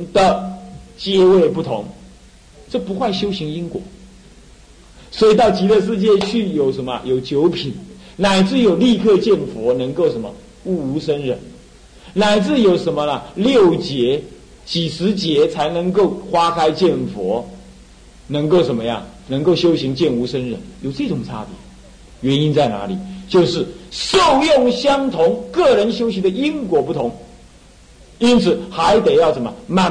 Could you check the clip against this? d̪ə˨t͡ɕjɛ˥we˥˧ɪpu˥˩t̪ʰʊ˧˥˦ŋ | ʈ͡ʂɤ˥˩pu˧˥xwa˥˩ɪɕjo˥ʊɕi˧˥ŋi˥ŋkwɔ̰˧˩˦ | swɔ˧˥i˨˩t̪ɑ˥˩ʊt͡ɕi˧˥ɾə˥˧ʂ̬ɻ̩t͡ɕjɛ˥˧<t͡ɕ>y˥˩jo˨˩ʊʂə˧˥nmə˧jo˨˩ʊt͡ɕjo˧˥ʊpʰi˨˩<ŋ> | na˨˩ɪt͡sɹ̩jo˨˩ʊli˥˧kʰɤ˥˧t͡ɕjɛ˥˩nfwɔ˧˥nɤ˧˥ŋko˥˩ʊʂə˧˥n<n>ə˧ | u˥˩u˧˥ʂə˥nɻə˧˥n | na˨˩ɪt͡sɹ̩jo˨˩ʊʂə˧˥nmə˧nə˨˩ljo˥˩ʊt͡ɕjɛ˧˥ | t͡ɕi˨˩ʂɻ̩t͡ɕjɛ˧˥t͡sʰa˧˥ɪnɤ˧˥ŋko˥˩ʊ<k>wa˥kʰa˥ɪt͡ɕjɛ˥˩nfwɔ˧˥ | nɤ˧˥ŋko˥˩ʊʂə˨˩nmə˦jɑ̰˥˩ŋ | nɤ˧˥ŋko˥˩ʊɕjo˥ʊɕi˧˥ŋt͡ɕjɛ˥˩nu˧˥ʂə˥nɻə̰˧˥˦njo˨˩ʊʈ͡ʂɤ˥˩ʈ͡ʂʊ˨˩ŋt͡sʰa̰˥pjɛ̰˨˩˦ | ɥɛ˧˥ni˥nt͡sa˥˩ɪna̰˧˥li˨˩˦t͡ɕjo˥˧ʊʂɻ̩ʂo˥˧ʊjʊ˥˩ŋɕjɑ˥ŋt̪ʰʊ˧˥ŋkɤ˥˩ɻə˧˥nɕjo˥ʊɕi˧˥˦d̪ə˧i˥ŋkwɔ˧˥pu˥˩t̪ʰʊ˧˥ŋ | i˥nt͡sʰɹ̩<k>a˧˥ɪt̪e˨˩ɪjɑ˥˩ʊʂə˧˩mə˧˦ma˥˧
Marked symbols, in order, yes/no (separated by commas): no, no, no, no, no